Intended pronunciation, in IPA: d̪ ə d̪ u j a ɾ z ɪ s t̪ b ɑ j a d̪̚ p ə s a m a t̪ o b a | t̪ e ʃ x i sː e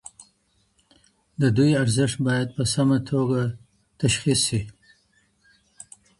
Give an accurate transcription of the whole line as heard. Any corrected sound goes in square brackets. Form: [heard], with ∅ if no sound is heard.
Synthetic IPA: d̪ ə d̪ u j a ɾ z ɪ [ʂ] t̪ b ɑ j a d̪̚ p ə s a m a [t̪ʰ] o [ɡ] a | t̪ [a] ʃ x i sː [i]